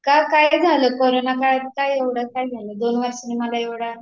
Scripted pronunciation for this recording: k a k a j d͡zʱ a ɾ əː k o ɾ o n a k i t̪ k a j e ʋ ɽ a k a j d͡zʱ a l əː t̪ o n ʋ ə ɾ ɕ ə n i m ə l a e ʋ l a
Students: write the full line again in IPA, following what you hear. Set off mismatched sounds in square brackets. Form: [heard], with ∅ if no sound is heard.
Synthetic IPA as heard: k a k a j d͡zʱ a [l] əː k o ɾ o n a k [a] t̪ k a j e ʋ ɽ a k a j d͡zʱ a l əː [d̪] o n ʋ ə ɾ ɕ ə n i m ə l a e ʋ [ɽ] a